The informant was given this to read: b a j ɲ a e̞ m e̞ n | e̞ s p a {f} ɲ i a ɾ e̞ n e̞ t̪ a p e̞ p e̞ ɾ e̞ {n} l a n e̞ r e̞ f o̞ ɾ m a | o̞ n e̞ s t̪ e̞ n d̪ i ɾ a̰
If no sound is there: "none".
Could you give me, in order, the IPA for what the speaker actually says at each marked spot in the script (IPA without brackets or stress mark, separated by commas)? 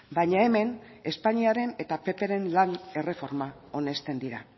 none, n